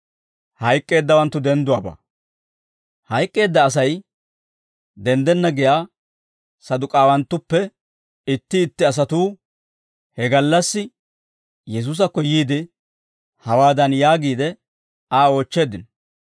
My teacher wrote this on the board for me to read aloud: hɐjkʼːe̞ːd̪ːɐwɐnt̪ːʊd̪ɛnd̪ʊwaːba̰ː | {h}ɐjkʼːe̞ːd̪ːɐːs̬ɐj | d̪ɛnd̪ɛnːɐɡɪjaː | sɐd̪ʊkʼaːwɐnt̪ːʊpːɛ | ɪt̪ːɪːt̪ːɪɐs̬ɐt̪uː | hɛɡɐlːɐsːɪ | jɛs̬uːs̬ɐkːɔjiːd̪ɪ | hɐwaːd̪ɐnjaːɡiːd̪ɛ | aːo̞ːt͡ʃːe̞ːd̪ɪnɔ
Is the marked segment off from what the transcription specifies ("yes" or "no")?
no